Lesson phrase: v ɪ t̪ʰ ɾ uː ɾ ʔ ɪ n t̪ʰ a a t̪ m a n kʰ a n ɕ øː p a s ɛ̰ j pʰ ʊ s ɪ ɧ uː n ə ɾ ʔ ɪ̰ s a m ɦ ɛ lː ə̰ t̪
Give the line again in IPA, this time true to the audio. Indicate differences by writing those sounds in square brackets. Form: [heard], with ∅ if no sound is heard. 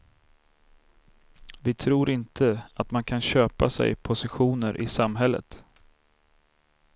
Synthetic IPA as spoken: v ɪ t̪ʰ ɾ uː ɾ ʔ ɪ n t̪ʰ [ə] a t̪ m a n kʰ a n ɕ øː p a s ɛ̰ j pʰ ʊ s ɪ ɧ uː n ə ɾ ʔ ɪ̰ s a m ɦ ɛ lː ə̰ t̪

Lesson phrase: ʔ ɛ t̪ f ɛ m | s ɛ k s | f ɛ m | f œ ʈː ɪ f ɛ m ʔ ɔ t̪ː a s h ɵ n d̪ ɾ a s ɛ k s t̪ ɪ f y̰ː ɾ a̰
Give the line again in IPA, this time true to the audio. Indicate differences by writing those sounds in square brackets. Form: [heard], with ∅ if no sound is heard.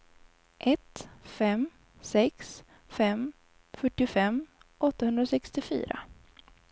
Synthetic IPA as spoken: ʔ ɛ t̪ f ɛ m | s ɛ k s | f ɛ m | f œ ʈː ɪ f ɛ m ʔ ɔ t̪ː a [∅] h ɵ n d̪ ɾ a s ɛ k s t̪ ɪ f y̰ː ɾ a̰

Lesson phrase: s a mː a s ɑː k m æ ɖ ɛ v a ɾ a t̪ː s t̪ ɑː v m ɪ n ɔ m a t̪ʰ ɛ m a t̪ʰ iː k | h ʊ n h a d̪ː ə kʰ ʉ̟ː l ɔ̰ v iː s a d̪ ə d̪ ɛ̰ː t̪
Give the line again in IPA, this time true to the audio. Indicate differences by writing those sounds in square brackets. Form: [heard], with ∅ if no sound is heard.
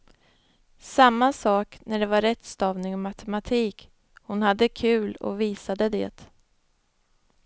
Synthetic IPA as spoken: s a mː a s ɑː k [n] æ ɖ ɛ v a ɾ [ɛ] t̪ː s t̪ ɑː v [n] ɪ [ŋ] ɔ m a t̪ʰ ɛ m a t̪ʰ iː k | h ʊ n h a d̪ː ə kʰ ʉ̟ː l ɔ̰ v iː s a d̪ ə d̪ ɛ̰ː t̪

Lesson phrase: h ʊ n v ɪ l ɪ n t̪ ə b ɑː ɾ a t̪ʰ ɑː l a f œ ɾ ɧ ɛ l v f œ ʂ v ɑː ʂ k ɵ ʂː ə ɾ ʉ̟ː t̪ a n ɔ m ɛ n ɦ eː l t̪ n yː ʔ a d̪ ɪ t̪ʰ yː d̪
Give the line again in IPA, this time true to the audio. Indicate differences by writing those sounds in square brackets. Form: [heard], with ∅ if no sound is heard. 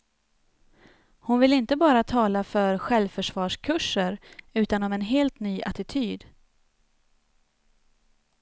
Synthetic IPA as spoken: h ʊ n v ɪ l ɪ n t̪ ə b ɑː ɾ a t̪ʰ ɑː l a f œ ɾ ɧ ɛ l v f œ ʂ v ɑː ʂ [kʰ] ɵ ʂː ə ɾ ʉ̟ː t̪ a n ɔ m ɛ n ɦ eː l t̪ n yː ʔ a [t̪] ɪ t̪ʰ yː d̪

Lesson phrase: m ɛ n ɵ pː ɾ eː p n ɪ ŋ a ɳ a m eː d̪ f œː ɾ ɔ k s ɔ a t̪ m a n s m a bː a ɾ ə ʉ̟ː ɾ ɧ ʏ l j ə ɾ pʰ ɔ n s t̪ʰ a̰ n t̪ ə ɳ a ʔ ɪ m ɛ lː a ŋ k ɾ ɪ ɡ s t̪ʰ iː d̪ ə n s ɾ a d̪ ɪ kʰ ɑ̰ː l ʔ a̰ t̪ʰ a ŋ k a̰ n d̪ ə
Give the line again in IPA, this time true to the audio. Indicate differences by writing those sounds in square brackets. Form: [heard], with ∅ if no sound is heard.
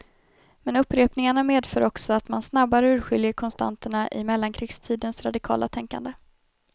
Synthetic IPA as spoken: m ɛ n ɵ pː ɾ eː p n ɪ ŋ a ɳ a m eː d̪ f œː ɾ ɔ k s ɔ a t̪ m a n s [n] a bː a ɾ ə ʉ̟ː ɾ ɧ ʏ l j ə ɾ [kʰ] ɔ n s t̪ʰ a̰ n t̪ ə ɳ a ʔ ɪ m ɛ lː a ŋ [kʰ] ɾ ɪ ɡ s t̪ʰ iː d̪ ə n s ɾ a d̪ ɪ kʰ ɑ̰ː l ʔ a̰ t̪ʰ [ɛ] ŋ k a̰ n d̪ ə

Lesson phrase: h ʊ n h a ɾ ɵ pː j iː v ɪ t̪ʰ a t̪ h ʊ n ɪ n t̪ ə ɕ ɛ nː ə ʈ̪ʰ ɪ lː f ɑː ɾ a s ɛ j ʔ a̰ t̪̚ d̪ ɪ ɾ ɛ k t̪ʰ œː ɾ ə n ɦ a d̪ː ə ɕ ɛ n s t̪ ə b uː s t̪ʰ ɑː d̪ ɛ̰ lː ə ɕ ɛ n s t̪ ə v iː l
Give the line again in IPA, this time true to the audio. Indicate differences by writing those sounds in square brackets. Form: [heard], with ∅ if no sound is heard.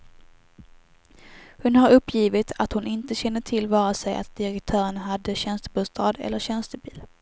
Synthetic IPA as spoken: h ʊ n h a ɾ ɵ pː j iː v ɪ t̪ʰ a t̪ h ʊ n ɪ n t̪ ə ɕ ɛ nː ə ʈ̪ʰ ɪ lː [v] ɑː ɾ a s ɛ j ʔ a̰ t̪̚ d̪ ɪ ɾ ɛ k t̪ʰ œː ɾ ə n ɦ a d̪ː ə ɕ ɛ n s t̪ ə b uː s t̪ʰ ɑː d̪ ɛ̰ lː ə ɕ ɛ n s t̪ ə [b] iː l

